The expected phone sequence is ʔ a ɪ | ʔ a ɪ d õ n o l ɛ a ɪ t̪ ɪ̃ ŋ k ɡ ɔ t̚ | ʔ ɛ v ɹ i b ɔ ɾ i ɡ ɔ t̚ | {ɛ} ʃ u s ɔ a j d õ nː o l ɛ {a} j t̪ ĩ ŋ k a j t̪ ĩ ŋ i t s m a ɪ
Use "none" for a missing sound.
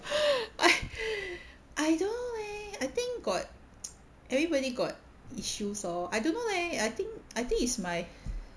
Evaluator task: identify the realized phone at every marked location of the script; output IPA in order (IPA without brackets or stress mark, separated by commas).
i, a